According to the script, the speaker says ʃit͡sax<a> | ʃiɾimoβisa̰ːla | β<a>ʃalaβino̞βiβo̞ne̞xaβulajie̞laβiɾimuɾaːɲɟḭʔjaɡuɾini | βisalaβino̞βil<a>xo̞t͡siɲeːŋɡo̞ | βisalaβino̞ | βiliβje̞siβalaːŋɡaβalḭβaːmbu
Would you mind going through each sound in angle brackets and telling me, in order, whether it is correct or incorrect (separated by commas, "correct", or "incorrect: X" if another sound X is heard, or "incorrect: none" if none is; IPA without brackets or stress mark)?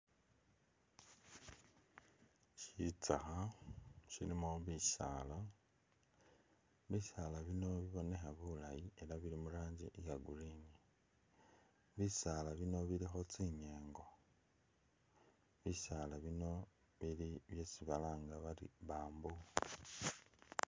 correct, incorrect: i, incorrect: i